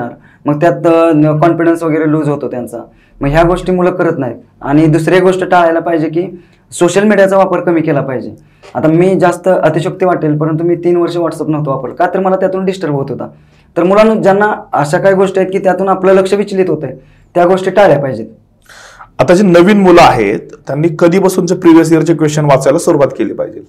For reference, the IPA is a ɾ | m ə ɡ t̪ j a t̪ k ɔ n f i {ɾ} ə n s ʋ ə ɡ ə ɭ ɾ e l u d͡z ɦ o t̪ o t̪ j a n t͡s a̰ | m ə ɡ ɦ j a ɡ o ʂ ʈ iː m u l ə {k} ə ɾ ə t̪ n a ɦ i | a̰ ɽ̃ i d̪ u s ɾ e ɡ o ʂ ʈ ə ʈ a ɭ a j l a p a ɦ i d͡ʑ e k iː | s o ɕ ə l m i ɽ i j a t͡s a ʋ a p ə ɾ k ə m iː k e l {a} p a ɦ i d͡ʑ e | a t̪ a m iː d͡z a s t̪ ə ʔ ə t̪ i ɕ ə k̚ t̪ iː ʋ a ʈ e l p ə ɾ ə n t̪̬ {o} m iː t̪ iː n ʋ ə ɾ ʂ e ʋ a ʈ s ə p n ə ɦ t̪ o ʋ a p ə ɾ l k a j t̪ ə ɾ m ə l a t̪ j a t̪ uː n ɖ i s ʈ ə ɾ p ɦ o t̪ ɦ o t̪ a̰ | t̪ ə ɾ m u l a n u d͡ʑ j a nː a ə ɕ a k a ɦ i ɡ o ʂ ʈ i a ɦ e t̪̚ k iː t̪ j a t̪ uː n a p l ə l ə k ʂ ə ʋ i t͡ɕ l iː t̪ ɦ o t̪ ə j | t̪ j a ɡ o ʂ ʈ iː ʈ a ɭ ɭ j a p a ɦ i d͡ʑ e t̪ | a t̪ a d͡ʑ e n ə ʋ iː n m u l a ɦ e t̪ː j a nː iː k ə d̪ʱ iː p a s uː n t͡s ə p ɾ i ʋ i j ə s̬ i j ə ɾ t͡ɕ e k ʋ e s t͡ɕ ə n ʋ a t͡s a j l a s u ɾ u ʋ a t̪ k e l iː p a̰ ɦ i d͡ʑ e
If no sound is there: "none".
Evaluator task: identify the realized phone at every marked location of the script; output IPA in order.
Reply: ɽ, k, a, u

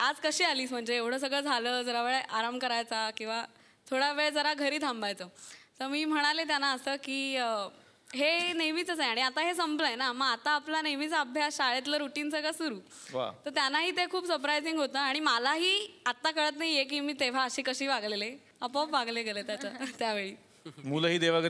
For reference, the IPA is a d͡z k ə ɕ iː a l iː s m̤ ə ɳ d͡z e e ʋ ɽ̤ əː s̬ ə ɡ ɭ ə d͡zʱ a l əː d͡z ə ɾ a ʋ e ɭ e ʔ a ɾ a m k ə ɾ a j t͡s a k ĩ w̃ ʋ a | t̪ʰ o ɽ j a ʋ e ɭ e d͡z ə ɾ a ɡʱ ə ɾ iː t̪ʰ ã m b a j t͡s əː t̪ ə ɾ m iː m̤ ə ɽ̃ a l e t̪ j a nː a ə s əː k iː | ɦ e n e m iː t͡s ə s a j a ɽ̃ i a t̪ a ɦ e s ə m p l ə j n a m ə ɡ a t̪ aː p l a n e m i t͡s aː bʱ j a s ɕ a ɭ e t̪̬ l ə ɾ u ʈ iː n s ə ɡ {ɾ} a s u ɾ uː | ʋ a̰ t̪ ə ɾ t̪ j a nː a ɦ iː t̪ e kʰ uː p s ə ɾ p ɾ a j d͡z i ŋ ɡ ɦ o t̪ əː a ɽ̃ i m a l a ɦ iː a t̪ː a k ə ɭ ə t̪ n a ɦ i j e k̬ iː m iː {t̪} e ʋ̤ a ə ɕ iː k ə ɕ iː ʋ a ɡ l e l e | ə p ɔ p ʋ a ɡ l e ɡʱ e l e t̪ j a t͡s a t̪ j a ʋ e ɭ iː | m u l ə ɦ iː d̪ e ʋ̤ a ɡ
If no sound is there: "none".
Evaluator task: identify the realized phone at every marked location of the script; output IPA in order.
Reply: ɭ, t̪

